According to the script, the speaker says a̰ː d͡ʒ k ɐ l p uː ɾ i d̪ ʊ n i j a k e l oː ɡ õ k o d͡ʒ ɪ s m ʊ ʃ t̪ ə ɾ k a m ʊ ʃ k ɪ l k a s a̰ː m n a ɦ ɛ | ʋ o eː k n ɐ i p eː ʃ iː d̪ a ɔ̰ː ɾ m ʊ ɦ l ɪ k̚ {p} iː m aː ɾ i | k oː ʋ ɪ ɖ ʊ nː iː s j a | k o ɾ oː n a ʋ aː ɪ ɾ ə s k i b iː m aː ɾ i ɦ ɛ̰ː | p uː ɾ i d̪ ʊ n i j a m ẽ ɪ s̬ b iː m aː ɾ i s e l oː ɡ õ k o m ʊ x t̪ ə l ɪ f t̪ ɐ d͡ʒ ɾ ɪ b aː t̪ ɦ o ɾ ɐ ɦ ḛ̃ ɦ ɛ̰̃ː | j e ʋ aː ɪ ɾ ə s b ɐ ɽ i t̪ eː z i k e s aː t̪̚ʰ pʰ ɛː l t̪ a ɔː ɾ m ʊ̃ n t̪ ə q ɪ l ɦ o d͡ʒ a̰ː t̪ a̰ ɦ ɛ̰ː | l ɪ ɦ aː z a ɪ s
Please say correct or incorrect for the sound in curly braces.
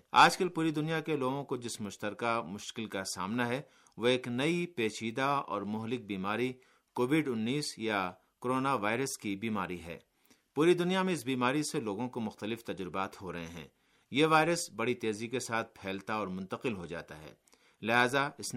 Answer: incorrect